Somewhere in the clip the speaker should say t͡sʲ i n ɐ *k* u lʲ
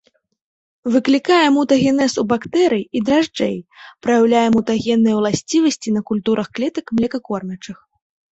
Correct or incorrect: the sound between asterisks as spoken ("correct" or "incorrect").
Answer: correct